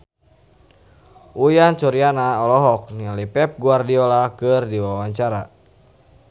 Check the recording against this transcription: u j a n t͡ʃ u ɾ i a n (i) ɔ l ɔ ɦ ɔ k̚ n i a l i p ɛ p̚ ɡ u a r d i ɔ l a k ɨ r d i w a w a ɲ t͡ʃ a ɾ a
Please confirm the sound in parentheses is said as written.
no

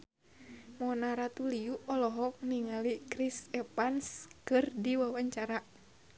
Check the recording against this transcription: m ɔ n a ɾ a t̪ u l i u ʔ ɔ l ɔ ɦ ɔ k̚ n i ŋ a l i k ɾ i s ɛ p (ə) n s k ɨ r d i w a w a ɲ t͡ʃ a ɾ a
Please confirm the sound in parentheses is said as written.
no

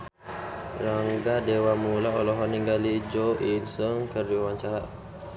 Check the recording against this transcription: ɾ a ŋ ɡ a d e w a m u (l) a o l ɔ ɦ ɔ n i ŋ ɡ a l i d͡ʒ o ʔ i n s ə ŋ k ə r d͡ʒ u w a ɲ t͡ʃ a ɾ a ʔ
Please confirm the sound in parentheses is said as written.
yes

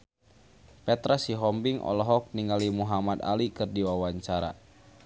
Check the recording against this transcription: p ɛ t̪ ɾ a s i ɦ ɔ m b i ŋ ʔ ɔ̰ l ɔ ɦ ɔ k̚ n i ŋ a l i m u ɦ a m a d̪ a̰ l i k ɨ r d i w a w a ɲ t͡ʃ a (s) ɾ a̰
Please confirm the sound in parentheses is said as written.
no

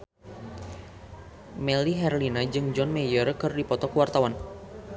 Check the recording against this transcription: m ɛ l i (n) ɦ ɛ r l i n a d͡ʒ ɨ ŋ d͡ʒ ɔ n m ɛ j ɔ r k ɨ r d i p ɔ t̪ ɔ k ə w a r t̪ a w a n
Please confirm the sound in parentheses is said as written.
no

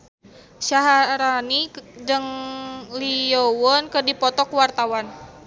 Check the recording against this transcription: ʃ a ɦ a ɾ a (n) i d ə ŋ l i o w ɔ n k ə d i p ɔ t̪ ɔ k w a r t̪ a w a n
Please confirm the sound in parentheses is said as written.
yes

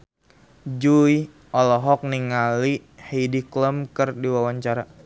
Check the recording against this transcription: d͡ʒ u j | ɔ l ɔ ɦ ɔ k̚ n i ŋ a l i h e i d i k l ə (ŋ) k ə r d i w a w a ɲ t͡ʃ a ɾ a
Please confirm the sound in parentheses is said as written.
no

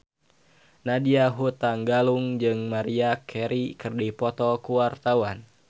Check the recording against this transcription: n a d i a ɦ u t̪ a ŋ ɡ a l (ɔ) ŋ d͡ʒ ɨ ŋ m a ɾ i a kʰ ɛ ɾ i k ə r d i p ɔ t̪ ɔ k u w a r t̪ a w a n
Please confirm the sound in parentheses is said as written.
no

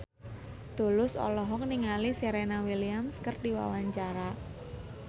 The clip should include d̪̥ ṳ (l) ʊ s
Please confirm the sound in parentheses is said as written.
yes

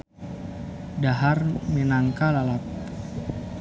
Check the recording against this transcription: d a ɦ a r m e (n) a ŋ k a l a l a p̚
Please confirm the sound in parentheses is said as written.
yes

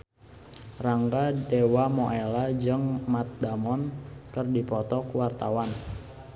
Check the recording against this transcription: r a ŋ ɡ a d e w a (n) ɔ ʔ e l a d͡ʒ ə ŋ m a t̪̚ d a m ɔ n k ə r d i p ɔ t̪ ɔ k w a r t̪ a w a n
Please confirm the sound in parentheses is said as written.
no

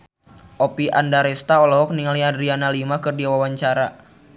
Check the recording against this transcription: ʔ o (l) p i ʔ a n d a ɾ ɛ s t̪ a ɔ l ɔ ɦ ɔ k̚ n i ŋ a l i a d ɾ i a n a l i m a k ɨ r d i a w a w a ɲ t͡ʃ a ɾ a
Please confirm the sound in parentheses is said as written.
no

